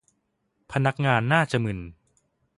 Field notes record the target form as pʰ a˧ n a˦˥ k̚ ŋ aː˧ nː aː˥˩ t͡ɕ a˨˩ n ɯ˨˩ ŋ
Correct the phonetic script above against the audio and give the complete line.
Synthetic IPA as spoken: pʰ a˧ n a˦˥ k̚ ŋ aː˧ nː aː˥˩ t͡ɕ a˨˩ m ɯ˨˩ n